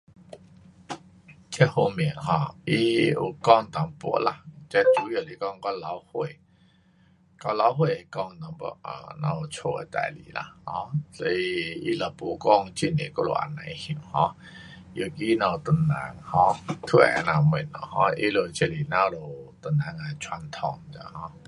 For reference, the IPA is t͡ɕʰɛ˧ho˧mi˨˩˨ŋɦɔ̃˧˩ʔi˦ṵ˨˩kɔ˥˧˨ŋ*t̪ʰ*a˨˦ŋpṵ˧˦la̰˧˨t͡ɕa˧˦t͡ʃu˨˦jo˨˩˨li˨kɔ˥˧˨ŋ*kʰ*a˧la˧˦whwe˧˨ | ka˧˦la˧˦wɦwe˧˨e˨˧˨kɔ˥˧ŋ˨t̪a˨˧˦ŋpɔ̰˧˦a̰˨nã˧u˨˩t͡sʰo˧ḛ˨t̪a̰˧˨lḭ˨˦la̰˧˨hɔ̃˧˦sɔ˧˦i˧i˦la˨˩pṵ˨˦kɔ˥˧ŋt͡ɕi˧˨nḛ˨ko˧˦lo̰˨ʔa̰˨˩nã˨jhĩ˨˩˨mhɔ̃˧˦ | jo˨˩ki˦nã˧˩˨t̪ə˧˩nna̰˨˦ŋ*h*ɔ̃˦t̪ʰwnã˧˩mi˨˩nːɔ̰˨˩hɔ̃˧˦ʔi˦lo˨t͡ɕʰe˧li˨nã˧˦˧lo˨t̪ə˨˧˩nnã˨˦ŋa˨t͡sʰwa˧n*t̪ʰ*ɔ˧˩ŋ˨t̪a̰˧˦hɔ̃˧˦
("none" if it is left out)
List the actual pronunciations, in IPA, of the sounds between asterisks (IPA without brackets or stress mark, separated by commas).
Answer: t̪, k, h, t̪ʰ